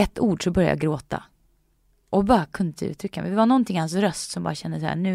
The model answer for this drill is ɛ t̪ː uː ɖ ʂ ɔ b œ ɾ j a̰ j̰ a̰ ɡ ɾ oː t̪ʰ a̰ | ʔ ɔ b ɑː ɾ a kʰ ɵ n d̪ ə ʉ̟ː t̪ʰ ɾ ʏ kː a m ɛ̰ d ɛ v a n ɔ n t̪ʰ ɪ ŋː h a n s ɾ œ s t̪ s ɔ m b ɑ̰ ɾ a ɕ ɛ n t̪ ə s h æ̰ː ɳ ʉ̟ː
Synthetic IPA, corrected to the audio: ɛ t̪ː uː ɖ ʂ ɔ b œ ɾ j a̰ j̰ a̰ ɡ ɾ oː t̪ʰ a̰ | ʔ ɔ b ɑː ɾ a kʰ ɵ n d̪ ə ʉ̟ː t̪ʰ ɾ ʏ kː a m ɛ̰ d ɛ v a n ɔ n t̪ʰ ɪ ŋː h a n s ɾ œ s t̪ s ɔ m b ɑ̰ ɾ a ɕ ɛ n d̪ ə s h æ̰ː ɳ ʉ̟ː